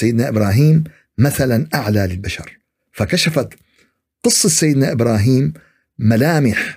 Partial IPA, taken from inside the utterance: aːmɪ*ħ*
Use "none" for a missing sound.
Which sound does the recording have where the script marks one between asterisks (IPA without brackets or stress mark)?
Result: ħ